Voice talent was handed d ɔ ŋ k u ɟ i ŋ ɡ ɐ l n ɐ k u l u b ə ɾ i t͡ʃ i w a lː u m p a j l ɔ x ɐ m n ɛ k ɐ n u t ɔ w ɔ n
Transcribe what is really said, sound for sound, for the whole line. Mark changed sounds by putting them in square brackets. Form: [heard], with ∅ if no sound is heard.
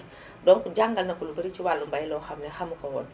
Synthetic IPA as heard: d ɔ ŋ k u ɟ [a] ŋ ɡ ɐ l n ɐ k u l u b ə ɾ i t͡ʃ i w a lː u m [b] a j l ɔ x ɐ m n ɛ [x] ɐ [m] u [k] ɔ w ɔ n